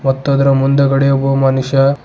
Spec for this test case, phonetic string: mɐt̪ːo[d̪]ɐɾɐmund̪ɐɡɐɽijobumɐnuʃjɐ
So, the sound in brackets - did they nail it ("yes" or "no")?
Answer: yes